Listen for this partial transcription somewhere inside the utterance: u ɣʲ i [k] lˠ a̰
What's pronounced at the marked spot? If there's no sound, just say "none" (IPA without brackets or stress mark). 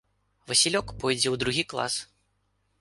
k